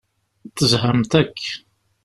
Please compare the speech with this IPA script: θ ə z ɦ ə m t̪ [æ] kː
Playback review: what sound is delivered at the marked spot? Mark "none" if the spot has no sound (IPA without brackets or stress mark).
æ